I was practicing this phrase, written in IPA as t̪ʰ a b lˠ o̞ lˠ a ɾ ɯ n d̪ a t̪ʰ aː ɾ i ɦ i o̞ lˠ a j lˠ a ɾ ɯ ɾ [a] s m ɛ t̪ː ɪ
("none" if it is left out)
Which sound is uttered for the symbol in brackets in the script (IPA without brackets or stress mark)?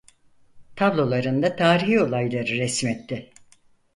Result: ɛ